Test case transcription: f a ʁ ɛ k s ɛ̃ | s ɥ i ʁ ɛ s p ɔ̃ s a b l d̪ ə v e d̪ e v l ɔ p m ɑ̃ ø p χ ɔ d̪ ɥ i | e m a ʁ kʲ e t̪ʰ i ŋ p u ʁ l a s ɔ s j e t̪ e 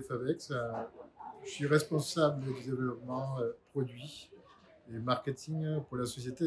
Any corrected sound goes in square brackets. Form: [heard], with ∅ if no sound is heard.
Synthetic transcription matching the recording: f a [v] ɛ k s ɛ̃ | s ɥ i ʁ ɛ s p ɔ̃ s a b l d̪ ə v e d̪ e v l ɔ p m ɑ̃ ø p χ ɔ d̪ ɥ i | e m a ʁ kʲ e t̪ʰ i ŋ p u ʁ l a s ɔ s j e t̪ e